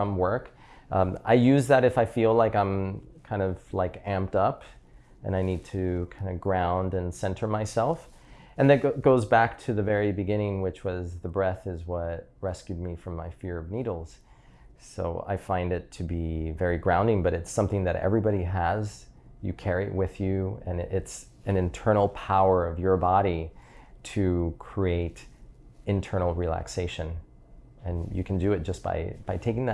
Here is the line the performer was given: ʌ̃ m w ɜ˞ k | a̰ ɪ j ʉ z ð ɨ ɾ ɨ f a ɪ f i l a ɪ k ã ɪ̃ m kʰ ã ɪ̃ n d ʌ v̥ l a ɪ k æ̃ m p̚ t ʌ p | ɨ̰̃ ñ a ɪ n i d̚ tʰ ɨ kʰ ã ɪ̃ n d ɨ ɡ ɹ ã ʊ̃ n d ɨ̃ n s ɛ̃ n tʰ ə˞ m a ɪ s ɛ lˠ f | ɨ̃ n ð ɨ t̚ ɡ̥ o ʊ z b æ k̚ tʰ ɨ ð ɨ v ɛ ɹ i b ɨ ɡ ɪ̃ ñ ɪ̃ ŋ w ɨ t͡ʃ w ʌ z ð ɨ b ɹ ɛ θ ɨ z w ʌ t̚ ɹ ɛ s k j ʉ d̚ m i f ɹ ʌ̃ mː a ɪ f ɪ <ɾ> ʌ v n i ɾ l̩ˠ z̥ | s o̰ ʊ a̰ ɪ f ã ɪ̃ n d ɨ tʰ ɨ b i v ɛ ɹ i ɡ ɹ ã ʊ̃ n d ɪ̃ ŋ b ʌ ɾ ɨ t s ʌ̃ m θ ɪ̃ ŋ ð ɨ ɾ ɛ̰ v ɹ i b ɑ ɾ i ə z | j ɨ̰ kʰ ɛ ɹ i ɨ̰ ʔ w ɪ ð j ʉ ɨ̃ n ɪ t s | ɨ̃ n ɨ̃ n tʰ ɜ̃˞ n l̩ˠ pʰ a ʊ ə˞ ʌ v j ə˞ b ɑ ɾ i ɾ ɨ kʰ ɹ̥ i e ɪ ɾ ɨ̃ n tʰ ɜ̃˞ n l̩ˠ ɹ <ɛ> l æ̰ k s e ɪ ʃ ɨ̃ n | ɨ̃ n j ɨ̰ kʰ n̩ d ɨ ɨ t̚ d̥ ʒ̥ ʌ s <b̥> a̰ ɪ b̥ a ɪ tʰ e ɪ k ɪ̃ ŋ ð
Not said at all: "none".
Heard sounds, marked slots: ɹ, i, b̥

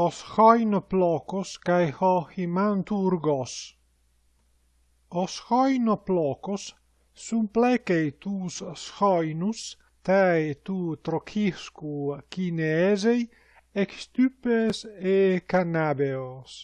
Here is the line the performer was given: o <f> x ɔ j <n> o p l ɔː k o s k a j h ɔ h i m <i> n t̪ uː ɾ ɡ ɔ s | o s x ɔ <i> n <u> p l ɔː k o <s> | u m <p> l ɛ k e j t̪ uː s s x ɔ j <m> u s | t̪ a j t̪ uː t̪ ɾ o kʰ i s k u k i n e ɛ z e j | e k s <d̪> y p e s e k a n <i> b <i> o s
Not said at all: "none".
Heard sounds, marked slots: s, n, a, j, o, sː, p, n, t̪, a, e

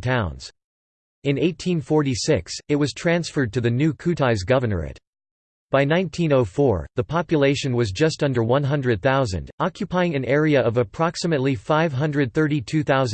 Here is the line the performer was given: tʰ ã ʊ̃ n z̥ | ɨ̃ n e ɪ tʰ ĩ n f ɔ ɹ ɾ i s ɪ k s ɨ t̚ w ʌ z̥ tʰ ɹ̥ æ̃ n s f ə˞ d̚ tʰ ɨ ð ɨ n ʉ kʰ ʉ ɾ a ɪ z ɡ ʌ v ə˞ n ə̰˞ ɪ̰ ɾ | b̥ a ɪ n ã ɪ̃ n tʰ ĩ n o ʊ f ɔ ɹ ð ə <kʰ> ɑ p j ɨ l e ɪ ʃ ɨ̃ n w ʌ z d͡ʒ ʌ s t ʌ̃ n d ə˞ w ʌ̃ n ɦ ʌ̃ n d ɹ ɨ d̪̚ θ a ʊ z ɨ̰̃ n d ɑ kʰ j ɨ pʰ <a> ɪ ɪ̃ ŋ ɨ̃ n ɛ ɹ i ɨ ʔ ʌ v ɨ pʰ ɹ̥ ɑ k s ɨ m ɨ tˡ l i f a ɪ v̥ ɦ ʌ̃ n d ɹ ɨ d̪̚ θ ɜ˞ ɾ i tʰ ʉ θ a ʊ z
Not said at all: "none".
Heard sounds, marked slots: pʰ, a

